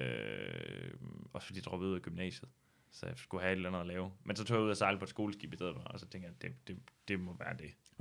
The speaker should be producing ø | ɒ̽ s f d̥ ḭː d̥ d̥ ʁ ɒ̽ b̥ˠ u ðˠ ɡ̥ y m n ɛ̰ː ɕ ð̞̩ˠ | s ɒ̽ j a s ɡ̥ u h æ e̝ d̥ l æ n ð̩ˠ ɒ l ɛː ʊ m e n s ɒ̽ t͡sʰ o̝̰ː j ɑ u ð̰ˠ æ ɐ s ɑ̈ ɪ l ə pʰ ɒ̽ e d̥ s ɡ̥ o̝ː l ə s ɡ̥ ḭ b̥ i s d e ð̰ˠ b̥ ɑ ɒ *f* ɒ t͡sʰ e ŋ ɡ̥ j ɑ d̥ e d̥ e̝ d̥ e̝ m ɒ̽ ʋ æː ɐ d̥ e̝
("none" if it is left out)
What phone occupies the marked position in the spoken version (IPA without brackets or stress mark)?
s